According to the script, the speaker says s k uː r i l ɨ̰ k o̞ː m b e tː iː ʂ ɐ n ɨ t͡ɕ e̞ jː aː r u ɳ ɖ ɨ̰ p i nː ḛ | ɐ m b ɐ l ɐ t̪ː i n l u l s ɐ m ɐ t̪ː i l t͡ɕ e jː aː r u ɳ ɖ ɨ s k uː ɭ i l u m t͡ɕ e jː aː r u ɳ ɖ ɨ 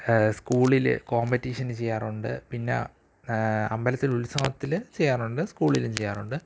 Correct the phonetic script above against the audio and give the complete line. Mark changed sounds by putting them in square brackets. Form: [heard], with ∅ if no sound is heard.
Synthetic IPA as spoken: s k uː [ɭ] i l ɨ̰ k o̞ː m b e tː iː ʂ ɐ n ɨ t͡ɕ e̞ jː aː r u ɳ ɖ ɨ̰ p i nː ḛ | ɐ m b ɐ l ɐ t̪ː i [∅] l u l s ɐ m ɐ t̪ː i l t͡ɕ e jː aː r u ɳ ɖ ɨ s k uː ɭ i l u m t͡ɕ e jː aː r u ɳ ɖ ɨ